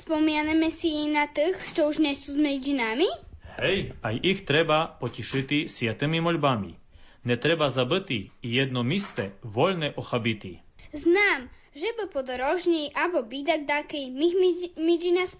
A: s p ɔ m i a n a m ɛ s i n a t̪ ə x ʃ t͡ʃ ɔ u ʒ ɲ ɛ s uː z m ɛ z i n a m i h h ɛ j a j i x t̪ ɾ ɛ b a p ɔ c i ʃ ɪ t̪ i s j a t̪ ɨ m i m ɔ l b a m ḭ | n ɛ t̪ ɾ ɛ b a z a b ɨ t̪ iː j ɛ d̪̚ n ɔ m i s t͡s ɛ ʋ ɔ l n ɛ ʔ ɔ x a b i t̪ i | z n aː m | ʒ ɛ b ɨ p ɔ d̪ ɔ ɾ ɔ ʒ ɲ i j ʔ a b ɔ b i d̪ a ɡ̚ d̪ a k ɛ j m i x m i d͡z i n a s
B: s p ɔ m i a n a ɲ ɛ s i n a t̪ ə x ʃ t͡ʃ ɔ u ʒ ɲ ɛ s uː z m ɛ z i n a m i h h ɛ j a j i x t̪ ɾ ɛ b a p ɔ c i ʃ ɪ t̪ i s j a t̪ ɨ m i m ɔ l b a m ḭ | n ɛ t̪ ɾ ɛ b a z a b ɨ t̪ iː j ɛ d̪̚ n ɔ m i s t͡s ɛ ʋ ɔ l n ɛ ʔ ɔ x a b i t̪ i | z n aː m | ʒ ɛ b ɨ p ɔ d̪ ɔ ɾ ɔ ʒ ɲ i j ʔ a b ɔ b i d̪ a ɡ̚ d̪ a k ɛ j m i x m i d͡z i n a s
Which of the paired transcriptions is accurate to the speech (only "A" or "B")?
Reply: A